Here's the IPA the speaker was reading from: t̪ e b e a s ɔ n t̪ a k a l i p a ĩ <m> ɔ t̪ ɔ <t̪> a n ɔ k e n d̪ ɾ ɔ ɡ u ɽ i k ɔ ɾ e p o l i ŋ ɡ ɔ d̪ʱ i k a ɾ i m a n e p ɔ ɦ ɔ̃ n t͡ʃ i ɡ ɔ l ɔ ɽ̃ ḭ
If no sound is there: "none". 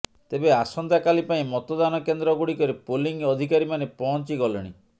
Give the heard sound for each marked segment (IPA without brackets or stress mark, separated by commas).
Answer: m, d̪